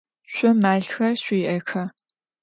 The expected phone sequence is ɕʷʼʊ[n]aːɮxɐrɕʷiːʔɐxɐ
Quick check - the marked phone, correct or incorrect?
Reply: incorrect